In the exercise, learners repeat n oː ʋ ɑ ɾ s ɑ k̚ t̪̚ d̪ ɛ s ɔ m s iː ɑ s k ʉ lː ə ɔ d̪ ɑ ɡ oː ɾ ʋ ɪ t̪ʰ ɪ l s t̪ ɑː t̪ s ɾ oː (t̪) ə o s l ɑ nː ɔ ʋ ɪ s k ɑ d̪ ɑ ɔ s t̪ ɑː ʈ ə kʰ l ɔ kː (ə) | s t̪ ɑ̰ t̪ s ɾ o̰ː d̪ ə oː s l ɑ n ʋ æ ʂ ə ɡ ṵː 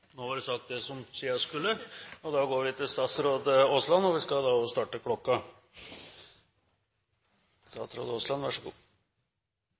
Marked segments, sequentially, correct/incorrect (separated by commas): incorrect, incorrect